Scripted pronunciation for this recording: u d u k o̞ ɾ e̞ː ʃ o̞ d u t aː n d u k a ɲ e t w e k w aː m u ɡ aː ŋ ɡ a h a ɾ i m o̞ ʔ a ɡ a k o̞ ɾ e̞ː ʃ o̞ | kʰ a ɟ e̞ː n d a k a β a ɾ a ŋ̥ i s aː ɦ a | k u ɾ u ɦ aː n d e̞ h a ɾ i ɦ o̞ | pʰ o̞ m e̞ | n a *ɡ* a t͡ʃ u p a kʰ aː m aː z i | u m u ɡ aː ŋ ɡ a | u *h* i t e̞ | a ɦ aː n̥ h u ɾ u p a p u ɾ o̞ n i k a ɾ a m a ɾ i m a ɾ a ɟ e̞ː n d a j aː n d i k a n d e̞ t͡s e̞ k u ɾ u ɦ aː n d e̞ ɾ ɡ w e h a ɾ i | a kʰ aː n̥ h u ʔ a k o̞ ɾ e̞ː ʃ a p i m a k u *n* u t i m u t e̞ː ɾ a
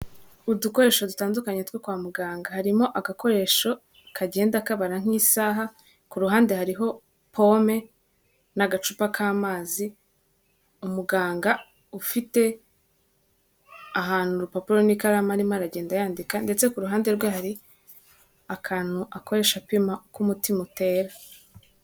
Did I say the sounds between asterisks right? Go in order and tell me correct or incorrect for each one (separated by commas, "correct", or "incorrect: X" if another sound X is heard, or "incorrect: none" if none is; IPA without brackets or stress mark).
correct, incorrect: f, incorrect: m